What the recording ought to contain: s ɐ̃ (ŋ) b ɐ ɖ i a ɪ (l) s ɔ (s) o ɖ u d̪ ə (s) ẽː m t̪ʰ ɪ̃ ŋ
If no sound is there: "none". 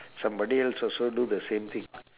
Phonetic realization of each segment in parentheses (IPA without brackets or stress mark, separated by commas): m, l, s, s